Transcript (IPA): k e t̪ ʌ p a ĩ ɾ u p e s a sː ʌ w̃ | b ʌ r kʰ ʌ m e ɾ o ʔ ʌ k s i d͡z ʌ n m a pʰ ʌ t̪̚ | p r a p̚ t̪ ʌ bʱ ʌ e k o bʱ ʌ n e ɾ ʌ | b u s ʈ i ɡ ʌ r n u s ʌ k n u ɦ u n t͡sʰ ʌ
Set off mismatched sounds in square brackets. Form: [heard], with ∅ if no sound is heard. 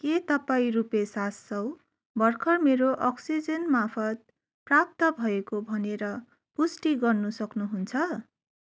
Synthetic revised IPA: k e t̪ ʌ p a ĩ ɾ u p e s a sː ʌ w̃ | b ʌ r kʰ ʌ m e ɾ o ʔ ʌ k s i d͡z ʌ n m a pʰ ʌ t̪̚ | p r a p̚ t̪ ʌ bʱ ʌ e k o bʱ ʌ n e ɾ ʌ | [p] u s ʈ i ɡ ʌ r n u s ʌ k n u ɦ u n t͡sʰ ʌ